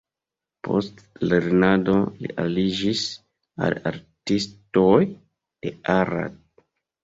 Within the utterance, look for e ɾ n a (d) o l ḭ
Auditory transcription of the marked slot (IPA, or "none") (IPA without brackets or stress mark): d